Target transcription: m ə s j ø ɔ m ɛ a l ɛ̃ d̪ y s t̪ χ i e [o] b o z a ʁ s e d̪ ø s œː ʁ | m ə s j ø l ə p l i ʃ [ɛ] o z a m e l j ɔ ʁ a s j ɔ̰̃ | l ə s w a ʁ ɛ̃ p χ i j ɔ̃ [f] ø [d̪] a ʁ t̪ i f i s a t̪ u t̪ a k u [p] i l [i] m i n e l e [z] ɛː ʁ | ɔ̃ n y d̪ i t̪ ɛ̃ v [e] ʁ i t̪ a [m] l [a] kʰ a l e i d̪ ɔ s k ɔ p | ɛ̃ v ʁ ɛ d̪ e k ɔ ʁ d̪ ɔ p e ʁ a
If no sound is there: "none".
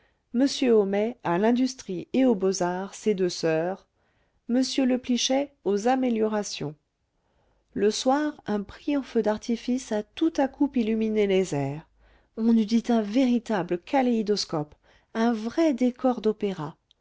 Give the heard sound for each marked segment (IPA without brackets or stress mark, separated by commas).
o, ɛ, f, d̪, p, y, z, e, b, ə